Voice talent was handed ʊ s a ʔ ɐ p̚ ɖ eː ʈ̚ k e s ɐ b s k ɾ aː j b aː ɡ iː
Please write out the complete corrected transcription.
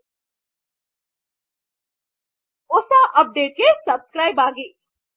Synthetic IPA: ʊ s a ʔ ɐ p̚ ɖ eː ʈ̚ k e s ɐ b s k ɾ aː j b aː ɡ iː

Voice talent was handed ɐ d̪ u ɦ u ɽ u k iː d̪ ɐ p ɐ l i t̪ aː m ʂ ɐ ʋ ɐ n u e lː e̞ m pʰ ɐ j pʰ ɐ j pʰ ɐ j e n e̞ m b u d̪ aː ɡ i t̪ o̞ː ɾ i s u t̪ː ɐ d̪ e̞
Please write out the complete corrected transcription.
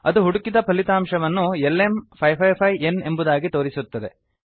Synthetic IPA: ɐ d̪ u ɦ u ɽ u k i d̪ ɐ p ɐ l i t̪ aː m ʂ ɐ ʋ ɐ nː u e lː e̞ m pʰ ɐ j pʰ ɐ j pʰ ɐ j e n e̞ m b u d̪ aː ɡ i t̪ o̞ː ɾ i s u t̪ː ɐ d̪ e̞

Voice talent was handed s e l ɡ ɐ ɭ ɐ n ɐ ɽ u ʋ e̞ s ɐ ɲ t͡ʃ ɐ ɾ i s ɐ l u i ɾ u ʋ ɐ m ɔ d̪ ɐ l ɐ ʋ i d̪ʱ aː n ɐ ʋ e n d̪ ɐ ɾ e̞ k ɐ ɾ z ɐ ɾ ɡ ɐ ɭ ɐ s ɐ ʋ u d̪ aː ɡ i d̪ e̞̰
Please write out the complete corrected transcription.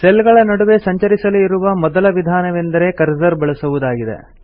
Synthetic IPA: s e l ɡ ɐ ɭ ɐ n ɐ ɽ u ʋ e̞ s ɐ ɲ t͡ʃ ɐ ɾ i s ɐ l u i ɾ u ʋ ɐ m ɔ d̪ ɐ l ɐ ʋ i d̪ʱ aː n ɐ ʋ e n d̪ ɐ ɾ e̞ k ɐ ɾ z ɐ ɾ b ɐ ɭ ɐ s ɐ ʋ u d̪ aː ɡ i d̪ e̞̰

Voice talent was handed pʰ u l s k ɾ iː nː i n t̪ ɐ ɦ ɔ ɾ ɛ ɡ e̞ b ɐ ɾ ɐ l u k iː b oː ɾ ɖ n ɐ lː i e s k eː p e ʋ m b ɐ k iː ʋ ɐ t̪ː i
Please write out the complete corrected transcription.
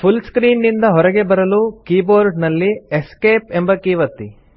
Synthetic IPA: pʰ u l s k ɾ iː nː i n d̪ ɐ ɦ ɔ ɾ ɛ ɡ e̞ b ɐ ɾ ɐ l u k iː b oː ɾ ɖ n ɐ lː i e s k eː p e m b ɐ k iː ʋ ɐ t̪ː i

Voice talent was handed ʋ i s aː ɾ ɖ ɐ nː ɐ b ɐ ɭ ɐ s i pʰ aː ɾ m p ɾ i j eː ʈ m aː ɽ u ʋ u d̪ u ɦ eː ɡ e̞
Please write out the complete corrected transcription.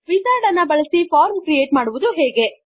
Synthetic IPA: ʋ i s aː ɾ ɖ ɐ nː ɐ b ɐ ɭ ɐ s i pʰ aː ɾ m k ɾ i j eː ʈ m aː ɽ u ʋ u d̪ u ɦ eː ɡ e̞

